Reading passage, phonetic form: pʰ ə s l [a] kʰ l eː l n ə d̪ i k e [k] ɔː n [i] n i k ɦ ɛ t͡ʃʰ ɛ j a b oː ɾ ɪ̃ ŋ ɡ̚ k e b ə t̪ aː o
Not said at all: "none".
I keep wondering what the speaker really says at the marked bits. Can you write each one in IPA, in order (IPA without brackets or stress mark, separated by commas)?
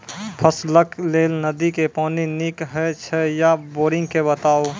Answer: ə, p, i